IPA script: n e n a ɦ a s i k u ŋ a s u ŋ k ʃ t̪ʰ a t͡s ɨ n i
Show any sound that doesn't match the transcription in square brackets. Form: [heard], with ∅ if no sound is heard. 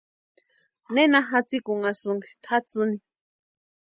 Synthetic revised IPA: n e n a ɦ a [t͡s] i k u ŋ a s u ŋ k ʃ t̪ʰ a t͡s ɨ n i